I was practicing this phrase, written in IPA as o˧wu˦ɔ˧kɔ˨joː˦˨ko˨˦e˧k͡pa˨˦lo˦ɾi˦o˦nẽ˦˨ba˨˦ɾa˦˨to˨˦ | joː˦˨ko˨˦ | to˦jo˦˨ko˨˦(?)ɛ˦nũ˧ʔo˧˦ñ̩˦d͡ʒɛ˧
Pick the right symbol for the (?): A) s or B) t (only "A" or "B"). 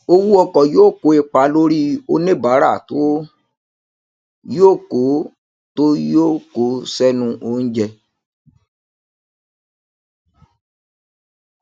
A